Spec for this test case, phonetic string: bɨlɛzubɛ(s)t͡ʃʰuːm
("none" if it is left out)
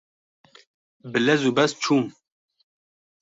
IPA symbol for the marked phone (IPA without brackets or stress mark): s